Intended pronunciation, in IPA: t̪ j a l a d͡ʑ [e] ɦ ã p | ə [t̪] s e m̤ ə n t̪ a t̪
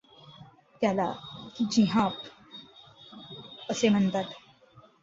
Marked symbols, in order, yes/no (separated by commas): no, no